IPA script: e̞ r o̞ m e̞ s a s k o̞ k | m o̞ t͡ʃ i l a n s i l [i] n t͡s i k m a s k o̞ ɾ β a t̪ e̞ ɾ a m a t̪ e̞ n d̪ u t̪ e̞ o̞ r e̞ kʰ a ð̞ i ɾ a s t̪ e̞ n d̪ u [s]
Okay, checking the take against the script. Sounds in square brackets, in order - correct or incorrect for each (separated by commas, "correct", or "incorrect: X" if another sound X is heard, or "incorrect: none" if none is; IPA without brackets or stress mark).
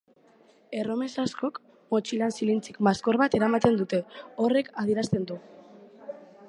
correct, incorrect: none